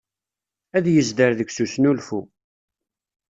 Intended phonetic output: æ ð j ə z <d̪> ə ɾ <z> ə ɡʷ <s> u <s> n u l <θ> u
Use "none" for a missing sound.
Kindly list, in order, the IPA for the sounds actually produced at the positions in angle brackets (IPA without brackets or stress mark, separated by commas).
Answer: d̪, ð, s, s, f